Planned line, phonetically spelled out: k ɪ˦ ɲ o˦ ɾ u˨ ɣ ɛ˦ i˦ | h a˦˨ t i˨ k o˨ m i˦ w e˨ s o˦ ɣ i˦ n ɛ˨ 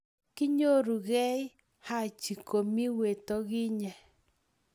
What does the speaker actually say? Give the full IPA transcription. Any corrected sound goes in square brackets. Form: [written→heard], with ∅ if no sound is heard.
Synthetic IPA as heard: k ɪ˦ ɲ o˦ ɾ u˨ ɣ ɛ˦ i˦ | h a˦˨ [t→t͡ʃ] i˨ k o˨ m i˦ w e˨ [s→t] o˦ ɣ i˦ [n→ɲ] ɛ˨